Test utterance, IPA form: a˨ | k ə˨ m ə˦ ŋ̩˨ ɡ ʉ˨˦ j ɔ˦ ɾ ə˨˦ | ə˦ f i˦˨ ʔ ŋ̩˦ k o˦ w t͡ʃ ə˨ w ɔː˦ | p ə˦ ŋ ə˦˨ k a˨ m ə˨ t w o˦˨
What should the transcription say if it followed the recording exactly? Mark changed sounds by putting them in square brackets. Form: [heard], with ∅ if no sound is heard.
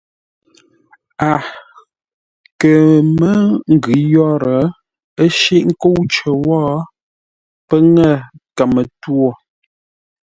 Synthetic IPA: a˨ | k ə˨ m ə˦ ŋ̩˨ ɡ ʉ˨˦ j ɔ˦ ɾ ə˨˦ | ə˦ [ʃ] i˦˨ ʔ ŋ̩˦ k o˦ w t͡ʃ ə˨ w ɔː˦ | p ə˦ ŋ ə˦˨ k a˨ m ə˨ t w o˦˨